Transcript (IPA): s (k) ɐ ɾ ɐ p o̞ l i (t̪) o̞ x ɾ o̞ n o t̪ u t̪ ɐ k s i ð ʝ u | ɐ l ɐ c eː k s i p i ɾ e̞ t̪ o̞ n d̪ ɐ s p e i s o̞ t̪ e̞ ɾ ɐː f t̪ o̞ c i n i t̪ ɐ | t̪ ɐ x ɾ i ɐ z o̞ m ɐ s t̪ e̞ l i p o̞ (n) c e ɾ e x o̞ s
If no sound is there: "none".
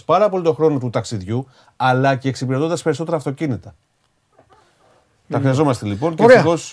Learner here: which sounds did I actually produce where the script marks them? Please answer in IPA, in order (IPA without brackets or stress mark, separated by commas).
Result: p, t̪, n